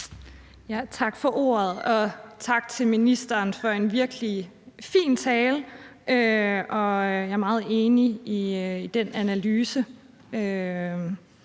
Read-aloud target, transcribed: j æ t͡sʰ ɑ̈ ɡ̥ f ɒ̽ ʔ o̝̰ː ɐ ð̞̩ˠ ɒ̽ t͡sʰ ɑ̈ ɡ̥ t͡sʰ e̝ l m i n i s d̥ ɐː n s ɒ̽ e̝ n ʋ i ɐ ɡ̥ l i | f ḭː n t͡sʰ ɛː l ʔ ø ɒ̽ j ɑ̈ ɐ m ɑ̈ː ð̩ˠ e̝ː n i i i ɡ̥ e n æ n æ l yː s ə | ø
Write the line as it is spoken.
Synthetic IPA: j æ t͡sʰ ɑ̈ ɡ̥ f ɒ̽ ʔ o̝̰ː ɐ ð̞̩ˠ ɒ̽ t͡sʰ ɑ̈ ɡ̥ t͡sʰ e̝ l m i n i s d̥ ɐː n f ɒ̽ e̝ n ʋ i ɐ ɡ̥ l i | f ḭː n t͡sʰ ɛː l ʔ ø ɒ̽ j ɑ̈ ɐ m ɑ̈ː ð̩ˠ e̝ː n i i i d̥ e n æ n æ l yː s ə | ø